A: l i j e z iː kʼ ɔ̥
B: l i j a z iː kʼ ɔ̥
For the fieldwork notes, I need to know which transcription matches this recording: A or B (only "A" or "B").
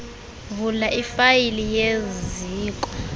A